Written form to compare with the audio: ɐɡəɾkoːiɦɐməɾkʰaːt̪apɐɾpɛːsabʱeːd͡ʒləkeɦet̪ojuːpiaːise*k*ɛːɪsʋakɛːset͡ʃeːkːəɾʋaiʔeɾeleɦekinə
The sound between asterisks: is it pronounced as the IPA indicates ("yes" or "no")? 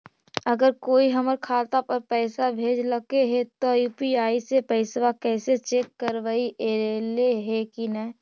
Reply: no